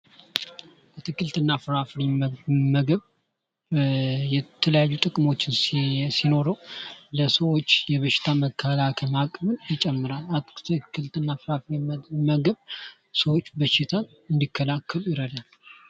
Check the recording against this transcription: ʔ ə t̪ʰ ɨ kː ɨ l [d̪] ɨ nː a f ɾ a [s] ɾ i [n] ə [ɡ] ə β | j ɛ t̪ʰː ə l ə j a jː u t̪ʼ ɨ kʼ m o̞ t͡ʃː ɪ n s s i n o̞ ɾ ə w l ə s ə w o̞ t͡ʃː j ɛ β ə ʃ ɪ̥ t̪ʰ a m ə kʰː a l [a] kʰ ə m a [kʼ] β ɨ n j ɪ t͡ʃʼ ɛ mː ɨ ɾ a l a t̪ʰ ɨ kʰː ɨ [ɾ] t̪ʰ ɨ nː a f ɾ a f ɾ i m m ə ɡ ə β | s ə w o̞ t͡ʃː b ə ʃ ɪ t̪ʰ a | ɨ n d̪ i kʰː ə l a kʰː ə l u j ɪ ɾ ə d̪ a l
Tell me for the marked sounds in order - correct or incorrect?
incorrect: t̪, incorrect: f, incorrect: m, correct, correct, correct, incorrect: l

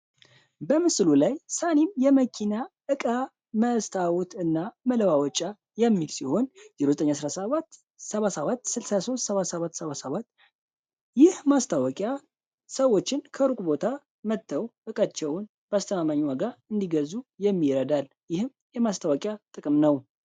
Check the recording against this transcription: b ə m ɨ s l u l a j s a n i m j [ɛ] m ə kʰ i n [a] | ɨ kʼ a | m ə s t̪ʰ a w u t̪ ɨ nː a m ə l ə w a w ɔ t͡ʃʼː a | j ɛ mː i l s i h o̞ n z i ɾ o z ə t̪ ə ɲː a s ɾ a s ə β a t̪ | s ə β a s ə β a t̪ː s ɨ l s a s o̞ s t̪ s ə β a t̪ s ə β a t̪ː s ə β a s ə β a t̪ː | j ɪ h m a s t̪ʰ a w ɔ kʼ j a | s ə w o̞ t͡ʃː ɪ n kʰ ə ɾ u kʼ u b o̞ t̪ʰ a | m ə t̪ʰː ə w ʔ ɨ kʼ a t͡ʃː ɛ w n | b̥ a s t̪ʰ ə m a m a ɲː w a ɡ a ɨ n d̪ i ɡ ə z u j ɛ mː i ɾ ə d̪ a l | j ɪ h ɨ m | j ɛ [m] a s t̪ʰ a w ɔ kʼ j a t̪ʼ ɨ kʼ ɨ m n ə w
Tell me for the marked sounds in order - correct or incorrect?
correct, correct, correct

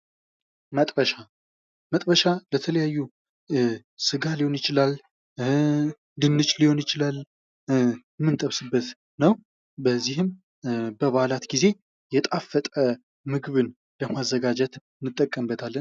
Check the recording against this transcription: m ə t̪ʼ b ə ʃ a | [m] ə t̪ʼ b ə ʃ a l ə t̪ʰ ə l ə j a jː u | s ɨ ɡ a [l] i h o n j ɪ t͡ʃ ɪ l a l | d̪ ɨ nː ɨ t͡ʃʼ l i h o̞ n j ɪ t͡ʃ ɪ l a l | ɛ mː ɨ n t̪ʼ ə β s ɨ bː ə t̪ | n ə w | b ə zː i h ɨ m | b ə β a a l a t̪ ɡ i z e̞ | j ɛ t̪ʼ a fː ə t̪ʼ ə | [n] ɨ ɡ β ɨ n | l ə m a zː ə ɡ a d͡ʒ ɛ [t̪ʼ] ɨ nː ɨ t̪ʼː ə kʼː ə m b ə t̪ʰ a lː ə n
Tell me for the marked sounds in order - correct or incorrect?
correct, correct, incorrect: m, incorrect: t̪

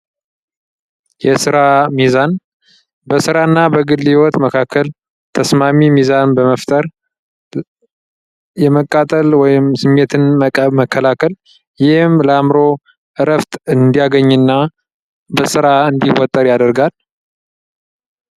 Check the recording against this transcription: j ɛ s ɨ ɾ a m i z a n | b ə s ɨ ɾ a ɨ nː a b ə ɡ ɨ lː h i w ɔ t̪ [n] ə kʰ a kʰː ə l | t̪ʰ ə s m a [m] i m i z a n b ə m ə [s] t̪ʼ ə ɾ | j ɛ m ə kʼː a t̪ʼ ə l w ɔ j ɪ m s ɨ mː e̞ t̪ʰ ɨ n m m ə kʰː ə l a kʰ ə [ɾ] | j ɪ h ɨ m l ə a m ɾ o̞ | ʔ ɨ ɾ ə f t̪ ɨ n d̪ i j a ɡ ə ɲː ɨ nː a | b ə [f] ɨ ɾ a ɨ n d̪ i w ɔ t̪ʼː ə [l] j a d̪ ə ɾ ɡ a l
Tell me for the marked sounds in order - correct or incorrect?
incorrect: m, correct, incorrect: f, incorrect: l, incorrect: s, incorrect: ɾ

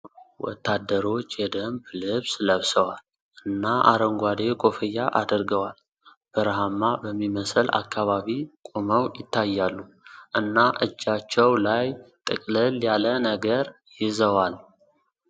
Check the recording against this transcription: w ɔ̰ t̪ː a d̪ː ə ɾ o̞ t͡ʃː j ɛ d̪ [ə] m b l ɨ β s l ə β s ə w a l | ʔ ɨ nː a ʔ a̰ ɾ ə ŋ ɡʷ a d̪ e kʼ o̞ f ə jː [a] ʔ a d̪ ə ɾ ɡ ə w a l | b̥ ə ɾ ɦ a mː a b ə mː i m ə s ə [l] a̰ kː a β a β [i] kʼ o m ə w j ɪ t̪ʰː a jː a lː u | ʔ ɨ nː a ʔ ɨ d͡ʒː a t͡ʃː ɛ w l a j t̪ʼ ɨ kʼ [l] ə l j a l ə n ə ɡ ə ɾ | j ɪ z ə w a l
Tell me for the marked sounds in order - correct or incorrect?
correct, correct, correct, correct, correct

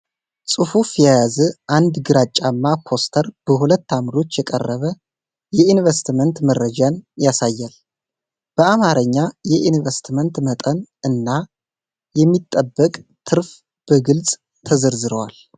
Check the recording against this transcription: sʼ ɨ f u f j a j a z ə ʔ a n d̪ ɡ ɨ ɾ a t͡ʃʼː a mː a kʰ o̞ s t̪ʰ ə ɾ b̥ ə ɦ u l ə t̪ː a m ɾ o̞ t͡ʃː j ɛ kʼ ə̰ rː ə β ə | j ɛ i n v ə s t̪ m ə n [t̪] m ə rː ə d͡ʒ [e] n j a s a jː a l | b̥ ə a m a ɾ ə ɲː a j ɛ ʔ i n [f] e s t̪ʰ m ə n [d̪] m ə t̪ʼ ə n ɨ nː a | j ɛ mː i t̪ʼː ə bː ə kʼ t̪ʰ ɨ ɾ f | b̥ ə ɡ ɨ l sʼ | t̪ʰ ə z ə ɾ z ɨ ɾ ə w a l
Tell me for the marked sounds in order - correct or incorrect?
correct, incorrect: a, incorrect: v, incorrect: t̪

